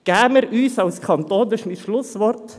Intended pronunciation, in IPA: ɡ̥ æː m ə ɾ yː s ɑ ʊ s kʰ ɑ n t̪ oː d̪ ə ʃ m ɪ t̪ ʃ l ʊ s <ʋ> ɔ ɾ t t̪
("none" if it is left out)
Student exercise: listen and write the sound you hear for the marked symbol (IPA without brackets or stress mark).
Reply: ʋ